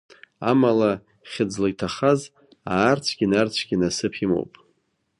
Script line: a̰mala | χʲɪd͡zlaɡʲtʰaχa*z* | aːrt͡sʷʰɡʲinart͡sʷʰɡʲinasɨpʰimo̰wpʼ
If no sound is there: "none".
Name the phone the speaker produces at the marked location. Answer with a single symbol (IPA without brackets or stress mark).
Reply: z